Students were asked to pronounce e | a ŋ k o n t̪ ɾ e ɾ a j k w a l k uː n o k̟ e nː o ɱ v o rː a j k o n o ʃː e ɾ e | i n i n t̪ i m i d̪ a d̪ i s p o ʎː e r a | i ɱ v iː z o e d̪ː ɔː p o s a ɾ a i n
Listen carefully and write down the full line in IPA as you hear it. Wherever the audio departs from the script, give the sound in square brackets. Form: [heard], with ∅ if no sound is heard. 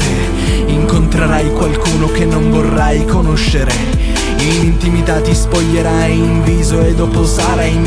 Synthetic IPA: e | [i] ŋ k o n t̪ ɾ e ɾ a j k w a l k uː n o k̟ e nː o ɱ v o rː a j k o n o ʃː e ɾ e | i n i n t̪ i m i [t̪] a [t̪] i s p o ʎː e [ɾ] a | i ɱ v iː z o e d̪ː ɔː p o s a ɾ a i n